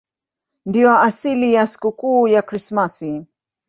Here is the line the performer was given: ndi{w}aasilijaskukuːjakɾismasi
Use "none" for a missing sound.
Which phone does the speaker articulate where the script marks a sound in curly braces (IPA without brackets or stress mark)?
w